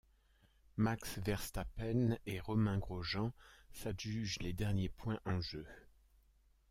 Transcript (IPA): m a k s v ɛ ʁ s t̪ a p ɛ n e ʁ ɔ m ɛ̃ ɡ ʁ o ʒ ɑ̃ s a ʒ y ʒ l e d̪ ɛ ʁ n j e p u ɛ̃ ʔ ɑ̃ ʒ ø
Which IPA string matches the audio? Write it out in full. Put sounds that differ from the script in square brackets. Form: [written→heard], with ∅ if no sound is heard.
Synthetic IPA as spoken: m a k s v ɛ ʁ s t̪ a p ɛ n e ʁ ɔ m ɛ̃ ɡ ʁ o ʒ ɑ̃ s a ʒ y ʒ l e d̪ ɛ ʁ n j e p [u→w] ɛ̃ ʔ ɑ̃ ʒ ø